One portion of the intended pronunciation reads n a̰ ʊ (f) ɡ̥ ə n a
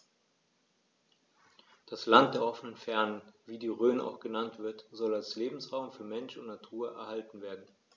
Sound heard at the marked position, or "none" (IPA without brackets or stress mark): x